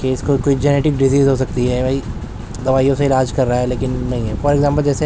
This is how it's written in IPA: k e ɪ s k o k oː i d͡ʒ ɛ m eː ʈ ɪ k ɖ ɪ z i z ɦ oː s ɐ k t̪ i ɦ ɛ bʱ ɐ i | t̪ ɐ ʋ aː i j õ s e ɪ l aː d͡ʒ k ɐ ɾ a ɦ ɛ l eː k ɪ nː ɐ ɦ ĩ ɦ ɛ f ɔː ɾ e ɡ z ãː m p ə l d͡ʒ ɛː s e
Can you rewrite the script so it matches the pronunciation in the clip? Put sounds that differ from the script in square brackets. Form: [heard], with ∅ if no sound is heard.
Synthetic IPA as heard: k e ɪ s k o k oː i d͡ʒ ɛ [n] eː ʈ ɪ k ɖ ɪ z [iː] z ɦ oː s ɐ k t̪ i ɦ ɛ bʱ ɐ i | [d̪] ɐ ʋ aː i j õ s e ɪ l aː d͡ʒ k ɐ [ɾː] a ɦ ɛ l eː k ɪ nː ɐ ɦ ĩ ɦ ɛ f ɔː ɾ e ɡ z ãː m p ə l d͡ʒ ɛː s e

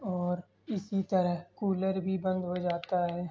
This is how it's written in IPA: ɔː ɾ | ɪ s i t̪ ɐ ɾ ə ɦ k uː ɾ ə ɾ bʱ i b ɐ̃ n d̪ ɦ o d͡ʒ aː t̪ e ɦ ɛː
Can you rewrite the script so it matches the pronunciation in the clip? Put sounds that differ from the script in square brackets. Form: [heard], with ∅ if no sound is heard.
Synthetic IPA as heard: ɔː ɾ | ɪ s i t̪ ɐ ɾ ə ɦ k uː [l] ə ɾ bʱ i b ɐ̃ n d̪ ɦ o d͡ʒ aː t̪ [a] ɦ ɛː

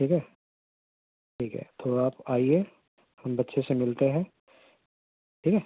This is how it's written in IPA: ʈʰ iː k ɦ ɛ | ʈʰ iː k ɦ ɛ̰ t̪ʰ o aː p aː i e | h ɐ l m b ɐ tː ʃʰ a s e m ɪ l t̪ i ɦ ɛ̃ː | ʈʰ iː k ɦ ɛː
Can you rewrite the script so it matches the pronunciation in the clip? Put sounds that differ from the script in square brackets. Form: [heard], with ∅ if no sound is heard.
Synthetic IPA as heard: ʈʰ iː k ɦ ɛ | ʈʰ iː k ɦ ɛ̰ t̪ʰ o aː p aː i e | h ɐ [∅] m b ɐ tː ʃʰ [e] s e m ɪ l t̪ [e] ɦ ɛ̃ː | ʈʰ iː k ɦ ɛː

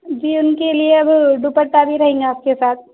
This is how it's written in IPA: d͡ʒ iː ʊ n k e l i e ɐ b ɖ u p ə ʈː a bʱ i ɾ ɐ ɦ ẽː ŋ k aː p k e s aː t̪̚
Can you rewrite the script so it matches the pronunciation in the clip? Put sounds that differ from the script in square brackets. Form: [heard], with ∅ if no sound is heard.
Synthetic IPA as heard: d͡ʒ iː ʊ n k e l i e ɐ b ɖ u p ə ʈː a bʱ i ɾ ɐ ɦ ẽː ŋ [ɡ] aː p k e s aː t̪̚

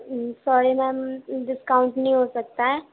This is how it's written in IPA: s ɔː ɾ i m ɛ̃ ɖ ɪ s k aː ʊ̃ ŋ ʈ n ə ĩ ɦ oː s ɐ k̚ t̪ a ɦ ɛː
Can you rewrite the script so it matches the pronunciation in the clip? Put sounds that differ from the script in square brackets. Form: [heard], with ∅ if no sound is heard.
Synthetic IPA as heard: s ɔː ɾ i m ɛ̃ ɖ ɪ s k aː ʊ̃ [ɳ] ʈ n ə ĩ ɦ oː s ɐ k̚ t̪ a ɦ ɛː

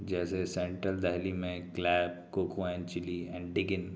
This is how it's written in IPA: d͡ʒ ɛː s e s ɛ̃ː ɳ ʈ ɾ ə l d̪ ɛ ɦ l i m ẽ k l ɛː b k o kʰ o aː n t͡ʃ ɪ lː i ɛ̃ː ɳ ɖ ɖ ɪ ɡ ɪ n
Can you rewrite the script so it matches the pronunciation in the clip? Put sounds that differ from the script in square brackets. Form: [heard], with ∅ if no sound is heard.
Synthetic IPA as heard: d͡ʒ ɛː s e s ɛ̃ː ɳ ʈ ɾ ə l d̪ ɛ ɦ l i m ẽ k l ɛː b k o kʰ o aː n t͡ʃ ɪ [l] i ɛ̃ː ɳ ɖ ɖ ɪ ɡ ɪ n

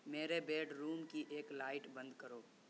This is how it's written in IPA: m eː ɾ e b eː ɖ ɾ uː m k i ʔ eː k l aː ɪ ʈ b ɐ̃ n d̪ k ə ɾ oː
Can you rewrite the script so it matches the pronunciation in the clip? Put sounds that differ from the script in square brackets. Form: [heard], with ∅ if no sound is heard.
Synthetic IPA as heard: m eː ɾ e b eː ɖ ɾ uː m k i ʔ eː k l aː ɪ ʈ b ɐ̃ n d̪ k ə ɾ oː

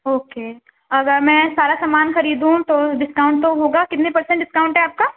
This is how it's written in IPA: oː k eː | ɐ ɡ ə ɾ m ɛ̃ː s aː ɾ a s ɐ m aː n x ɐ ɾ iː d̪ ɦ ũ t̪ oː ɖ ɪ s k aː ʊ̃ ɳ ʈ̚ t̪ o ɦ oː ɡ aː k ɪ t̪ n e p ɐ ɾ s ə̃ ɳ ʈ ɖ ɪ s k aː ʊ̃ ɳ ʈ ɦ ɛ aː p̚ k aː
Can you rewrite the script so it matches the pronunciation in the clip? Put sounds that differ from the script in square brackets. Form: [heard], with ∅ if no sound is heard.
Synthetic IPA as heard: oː k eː | ɐ ɡ ə ɾ m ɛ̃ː s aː ɾ a s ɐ m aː n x ɐ ɾ iː d̪ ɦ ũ t̪ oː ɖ ɪ s k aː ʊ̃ ɳ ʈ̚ t̪ o ɦ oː ɡ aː k ɪ t̪ n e p ɐ ɾ s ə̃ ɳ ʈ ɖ ɪ s k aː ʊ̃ ɳ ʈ ɦ ɛ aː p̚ k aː

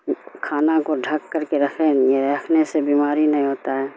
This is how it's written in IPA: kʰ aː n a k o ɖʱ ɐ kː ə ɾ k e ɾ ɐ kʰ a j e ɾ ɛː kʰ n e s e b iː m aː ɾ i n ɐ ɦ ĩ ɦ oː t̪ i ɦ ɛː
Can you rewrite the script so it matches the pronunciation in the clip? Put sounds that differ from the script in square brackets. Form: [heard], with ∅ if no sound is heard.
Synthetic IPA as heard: kʰ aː n a k o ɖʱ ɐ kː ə ɾ k e ɾ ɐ kʰ [e] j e ɾ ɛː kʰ n e s e b iː m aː ɾ i n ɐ ɦ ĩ ɦ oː t̪ [a] ɦ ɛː

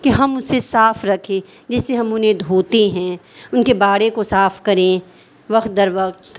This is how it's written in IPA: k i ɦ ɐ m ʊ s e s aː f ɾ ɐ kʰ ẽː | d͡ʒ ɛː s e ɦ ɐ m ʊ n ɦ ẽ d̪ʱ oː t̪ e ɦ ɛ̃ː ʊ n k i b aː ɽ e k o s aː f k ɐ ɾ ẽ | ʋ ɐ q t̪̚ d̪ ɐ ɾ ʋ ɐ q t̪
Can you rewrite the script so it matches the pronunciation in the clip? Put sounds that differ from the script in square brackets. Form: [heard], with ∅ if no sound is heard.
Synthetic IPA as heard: k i ɦ ɐ m ʊ s e s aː f ɾ ɐ kʰ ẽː | d͡ʒ ɛː s e ɦ ɐ m ʊ n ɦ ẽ d̪ʱ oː t̪ e ɦ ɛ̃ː ʊ n k [e] b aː ɽ e k o s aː f k ɐ ɾ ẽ | ʋ ɐ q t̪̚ d̪ ɐ ɾ ʋ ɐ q t̪

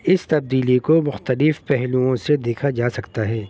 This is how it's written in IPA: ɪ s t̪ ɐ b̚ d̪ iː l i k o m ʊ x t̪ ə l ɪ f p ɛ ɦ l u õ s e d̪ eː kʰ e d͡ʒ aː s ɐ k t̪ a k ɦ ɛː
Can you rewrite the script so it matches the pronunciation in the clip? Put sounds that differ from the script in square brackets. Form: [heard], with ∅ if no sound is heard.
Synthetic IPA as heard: ɪ s t̪ ɐ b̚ d̪ iː l i k o m ʊ x t̪ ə l ɪ f p ɛ ɦ l u õ s e d̪ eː kʰ [a] d͡ʒ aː s ɐ k t̪ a [∅] ɦ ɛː

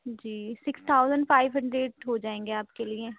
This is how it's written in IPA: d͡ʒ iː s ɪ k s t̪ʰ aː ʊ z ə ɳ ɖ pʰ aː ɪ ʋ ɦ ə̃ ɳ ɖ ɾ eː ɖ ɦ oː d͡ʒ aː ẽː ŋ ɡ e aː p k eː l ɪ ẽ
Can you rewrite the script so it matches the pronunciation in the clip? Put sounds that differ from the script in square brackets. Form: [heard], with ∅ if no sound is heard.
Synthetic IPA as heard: d͡ʒ iː s ɪ k s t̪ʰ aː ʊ z ə ɳ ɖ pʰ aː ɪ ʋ ɦ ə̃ ɳ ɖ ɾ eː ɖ ɦ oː d͡ʒ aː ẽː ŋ ɡ e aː p k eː l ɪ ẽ

